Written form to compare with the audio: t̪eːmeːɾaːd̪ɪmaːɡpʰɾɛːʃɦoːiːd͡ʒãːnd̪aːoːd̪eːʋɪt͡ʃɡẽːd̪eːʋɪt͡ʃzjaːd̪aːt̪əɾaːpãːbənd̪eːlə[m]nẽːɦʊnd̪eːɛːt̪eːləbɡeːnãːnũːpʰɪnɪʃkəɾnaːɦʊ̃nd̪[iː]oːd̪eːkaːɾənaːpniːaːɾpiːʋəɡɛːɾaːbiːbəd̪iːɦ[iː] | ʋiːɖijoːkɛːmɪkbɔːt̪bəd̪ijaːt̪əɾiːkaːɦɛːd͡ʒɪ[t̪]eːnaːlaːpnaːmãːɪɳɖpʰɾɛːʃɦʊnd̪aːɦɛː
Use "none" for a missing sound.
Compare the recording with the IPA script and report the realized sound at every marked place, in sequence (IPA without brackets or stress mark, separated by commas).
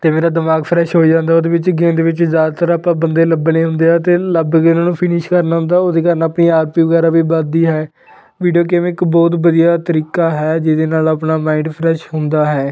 b, aː, ɛː, d̪